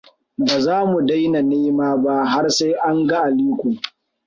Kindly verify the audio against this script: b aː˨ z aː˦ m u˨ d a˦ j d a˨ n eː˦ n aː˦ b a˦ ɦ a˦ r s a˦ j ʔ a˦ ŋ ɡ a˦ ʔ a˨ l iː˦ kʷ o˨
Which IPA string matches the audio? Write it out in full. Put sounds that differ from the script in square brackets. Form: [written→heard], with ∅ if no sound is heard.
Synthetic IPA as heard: b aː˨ z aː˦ m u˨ d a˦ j [d→n] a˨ n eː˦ [n→m] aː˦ b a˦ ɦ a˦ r s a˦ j ʔ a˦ ŋ ɡ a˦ ʔ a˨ l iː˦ kʷ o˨